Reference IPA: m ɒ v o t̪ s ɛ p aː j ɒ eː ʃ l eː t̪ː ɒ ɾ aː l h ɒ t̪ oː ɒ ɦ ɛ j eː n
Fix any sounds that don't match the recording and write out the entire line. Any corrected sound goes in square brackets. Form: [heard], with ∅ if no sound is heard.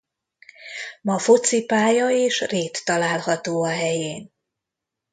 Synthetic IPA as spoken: m ɒ [f] o t̪ s [i] p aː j ɒ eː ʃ [r] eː t̪ː ɒ [l] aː l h ɒ t̪ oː ɒ ɦ ɛ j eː n